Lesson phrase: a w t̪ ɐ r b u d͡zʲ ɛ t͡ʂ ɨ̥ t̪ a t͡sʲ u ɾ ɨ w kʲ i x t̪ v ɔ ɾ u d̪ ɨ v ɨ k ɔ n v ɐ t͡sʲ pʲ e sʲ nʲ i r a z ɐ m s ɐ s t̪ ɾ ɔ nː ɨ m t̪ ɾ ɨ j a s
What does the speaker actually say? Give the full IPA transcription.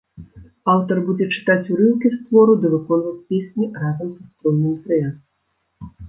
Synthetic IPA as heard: a w t̪ ɐ r b u d͡zʲ ɛ t͡ʂ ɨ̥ t̪ a t͡sʲ u ɾ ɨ w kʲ i s t̪ v ɔ ɾ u d̪ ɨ v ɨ k ɔ n v ɐ t͡sʲ pʲ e sʲ nʲ i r a z ɐ m s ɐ s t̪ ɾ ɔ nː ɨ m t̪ ɾ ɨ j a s